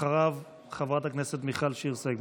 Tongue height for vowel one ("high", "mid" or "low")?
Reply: low